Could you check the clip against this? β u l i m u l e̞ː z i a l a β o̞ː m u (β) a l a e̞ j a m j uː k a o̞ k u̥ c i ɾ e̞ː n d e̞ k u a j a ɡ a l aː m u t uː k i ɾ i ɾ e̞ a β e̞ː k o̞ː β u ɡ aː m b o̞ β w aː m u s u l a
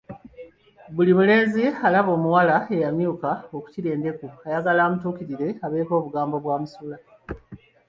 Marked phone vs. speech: incorrect: w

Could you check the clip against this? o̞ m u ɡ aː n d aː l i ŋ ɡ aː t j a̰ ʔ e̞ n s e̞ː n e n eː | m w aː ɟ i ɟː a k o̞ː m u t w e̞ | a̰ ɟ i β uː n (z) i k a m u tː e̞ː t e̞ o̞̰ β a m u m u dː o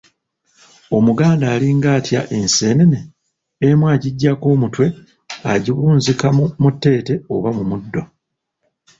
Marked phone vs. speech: correct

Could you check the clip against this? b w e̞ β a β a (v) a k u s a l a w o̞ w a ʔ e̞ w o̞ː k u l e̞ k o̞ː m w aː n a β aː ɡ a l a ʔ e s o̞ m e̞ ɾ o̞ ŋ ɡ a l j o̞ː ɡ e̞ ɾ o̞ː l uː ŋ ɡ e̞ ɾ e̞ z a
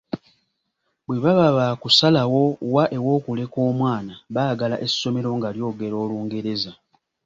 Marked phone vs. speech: incorrect: β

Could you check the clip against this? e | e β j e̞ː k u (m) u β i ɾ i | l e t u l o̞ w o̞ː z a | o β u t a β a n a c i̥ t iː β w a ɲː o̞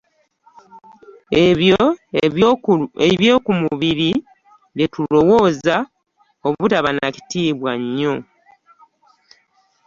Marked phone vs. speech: correct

